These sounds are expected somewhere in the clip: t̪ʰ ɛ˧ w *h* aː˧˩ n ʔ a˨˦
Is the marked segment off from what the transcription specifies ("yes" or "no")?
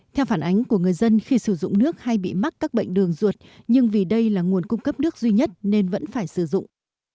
yes